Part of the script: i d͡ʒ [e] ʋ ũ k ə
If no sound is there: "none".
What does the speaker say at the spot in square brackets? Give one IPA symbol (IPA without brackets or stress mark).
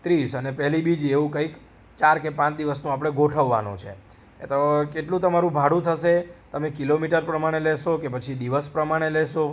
e